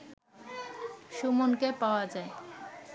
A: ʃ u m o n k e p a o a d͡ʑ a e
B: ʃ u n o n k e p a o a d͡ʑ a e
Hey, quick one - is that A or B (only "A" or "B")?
A